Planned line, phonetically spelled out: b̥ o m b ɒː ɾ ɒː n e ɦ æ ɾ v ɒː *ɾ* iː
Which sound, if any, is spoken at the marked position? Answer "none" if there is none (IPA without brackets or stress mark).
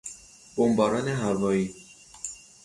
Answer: none